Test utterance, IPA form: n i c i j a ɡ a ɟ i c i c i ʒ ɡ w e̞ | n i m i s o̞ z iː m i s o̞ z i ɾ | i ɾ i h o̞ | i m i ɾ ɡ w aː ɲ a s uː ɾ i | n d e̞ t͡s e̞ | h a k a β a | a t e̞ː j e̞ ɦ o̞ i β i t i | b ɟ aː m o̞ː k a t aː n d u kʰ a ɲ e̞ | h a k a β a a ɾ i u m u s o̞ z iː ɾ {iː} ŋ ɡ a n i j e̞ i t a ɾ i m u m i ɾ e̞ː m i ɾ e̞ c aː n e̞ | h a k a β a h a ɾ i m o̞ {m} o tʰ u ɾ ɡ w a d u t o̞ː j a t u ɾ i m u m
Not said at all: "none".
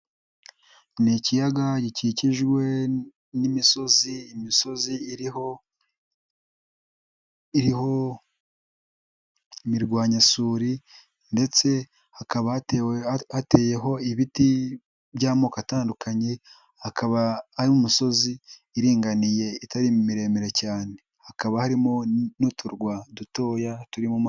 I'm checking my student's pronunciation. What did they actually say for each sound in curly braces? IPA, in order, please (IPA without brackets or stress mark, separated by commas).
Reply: iː, n